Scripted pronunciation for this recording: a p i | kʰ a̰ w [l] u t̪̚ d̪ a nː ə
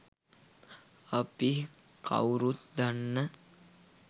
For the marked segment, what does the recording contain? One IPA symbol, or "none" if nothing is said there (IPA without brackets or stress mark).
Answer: ɾ